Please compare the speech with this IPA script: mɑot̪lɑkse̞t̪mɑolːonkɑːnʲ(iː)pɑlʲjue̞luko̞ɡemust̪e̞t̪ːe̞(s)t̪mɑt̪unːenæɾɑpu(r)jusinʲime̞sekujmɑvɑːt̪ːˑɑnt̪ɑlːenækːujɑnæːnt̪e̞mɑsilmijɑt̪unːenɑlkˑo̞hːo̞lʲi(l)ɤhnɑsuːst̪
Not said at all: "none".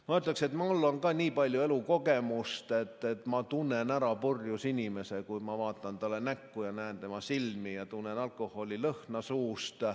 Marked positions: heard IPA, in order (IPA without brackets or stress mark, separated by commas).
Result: iː, none, r, l